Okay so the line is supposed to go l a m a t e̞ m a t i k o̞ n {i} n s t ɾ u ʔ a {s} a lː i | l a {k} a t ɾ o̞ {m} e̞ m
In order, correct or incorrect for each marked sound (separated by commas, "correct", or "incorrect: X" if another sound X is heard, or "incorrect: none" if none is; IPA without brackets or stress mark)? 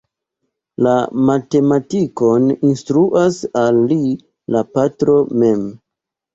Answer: correct, correct, incorrect: p, correct